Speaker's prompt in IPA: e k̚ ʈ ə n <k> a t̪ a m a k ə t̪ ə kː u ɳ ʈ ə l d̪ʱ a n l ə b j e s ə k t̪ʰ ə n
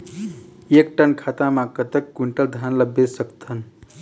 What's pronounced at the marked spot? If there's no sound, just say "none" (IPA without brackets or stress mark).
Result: kʰ